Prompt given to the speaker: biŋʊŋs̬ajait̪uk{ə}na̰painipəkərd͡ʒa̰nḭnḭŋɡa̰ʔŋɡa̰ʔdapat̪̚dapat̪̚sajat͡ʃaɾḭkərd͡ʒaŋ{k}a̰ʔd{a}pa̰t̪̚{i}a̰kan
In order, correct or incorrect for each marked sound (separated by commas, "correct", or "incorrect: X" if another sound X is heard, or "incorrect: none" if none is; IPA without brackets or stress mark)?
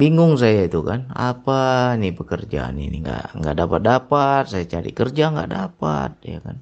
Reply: incorrect: a, incorrect: ɡ, correct, incorrect: j